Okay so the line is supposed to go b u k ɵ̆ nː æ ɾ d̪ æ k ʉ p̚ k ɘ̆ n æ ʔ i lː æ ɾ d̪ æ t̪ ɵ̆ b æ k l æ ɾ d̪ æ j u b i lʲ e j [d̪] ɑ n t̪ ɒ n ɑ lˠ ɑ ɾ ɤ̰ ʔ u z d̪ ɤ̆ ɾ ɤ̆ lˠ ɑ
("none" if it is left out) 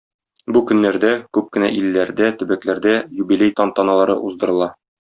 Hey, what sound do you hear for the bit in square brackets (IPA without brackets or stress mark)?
t̪